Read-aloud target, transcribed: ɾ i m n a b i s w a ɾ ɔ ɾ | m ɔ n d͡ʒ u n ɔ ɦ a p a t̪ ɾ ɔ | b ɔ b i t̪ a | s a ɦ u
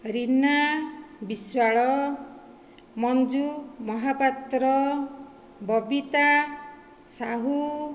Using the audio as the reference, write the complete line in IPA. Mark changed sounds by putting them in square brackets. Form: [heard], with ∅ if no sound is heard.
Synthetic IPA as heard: ɾ i [∅] n a b i s w a [ɭ] ɔ [∅] | m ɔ n d͡ʒ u [m] ɔ ɦ a p a t̪ ɾ ɔ | b ɔ b i t̪ a | s a ɦ u